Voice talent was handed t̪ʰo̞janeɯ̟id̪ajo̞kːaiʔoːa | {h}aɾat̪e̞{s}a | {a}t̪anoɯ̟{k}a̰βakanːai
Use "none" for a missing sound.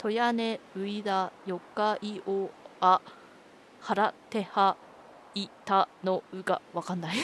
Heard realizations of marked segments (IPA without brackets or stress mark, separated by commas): h, h, i, ɡ